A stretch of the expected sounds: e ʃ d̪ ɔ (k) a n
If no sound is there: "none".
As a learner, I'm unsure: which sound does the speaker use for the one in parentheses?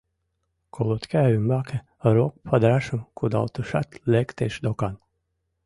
k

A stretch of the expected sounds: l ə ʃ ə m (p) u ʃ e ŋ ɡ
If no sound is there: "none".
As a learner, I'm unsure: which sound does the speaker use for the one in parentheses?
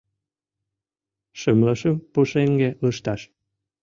p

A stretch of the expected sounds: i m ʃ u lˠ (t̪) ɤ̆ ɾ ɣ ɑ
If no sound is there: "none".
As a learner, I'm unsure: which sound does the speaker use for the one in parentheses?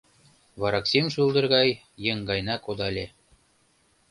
d̪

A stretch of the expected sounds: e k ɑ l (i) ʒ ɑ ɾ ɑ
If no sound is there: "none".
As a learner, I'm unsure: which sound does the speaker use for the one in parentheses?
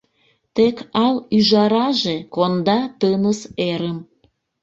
y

